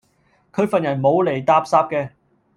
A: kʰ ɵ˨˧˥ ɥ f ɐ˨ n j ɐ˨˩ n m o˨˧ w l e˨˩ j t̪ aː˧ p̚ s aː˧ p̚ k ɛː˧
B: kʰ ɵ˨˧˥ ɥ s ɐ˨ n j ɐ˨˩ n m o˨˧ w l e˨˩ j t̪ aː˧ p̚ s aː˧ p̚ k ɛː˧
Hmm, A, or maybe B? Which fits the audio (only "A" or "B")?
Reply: A